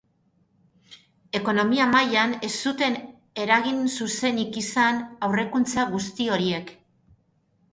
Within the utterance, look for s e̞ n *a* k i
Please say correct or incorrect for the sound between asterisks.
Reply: incorrect